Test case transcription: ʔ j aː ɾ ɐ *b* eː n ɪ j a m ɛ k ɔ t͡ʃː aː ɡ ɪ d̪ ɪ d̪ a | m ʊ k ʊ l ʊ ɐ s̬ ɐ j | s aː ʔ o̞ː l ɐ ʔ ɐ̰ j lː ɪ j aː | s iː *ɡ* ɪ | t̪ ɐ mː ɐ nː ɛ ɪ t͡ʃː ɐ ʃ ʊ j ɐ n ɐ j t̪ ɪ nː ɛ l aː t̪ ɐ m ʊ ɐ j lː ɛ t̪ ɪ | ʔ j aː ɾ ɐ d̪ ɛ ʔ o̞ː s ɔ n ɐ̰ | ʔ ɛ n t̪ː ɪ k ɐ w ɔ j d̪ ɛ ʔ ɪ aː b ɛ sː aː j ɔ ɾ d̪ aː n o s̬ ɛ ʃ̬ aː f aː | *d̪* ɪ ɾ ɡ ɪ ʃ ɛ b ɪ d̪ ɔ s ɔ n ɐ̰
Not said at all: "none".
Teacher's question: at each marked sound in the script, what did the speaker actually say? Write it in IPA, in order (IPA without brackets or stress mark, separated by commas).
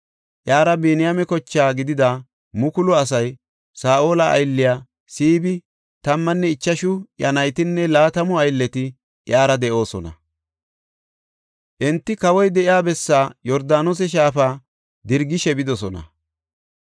b, b, d̪